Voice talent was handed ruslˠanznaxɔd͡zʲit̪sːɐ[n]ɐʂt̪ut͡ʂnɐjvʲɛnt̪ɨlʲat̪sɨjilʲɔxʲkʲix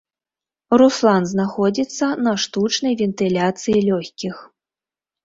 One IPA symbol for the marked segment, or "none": n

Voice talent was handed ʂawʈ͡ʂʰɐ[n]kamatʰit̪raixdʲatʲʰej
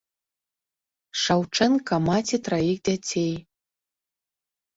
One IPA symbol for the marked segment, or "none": n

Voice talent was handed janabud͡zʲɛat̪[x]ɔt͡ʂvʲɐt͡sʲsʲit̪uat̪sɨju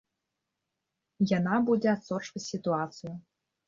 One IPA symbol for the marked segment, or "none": s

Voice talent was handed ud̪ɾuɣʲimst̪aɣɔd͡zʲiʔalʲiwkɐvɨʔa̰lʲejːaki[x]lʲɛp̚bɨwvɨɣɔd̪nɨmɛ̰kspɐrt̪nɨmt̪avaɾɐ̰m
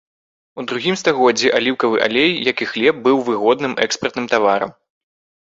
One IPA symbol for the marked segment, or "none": x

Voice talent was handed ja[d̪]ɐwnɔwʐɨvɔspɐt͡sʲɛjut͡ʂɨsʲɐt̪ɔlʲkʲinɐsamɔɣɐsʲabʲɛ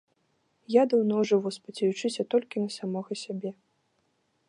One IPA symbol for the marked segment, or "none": d̪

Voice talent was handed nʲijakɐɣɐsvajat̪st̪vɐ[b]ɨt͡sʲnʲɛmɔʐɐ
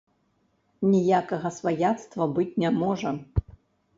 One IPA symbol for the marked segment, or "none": b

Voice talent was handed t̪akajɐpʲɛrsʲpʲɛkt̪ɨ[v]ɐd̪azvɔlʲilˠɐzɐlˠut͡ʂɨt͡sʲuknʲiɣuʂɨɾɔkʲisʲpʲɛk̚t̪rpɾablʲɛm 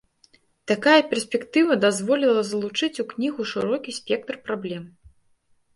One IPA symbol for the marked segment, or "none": v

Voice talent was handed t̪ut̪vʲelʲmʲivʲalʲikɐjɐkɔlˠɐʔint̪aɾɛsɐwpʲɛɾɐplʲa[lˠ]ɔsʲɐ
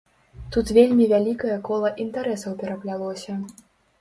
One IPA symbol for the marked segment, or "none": lˠ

